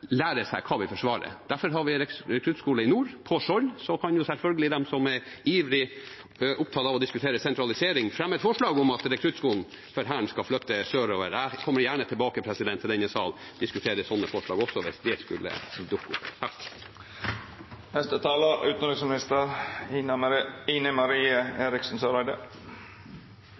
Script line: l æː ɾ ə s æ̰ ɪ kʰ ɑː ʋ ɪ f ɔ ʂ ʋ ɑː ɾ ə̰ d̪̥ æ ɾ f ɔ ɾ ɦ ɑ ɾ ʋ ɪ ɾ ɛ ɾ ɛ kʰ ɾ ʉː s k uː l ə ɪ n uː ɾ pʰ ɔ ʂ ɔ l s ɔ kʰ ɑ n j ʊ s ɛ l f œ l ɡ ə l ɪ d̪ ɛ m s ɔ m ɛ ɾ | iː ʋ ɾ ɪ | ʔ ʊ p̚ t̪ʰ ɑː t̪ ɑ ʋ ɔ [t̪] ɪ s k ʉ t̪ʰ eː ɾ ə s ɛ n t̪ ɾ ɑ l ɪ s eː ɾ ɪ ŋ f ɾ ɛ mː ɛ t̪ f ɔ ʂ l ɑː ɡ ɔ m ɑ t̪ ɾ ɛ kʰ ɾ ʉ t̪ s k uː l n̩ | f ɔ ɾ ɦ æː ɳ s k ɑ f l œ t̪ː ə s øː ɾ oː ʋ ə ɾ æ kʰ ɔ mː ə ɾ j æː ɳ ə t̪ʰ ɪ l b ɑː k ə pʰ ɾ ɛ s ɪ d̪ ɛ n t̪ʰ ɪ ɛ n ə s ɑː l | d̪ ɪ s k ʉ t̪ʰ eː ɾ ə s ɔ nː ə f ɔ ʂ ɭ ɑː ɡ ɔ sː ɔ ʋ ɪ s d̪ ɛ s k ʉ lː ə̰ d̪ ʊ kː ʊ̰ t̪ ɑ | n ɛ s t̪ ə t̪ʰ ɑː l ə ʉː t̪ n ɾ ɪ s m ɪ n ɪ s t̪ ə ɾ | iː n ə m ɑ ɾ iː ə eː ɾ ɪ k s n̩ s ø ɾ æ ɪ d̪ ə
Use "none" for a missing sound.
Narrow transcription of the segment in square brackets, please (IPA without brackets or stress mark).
d̪